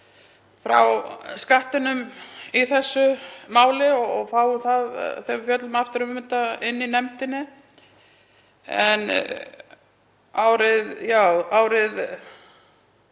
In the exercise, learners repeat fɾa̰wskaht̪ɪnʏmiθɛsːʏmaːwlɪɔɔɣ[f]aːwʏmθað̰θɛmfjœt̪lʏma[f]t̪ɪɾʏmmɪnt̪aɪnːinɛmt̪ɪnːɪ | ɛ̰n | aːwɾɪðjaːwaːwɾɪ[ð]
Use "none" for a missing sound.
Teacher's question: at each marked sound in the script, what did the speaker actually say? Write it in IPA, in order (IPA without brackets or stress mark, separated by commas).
f, f, ð